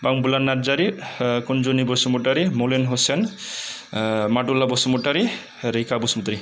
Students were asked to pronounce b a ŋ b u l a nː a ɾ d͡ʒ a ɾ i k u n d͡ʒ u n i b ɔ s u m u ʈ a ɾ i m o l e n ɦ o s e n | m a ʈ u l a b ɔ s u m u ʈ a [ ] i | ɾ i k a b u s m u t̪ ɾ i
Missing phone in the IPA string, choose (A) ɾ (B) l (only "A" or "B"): A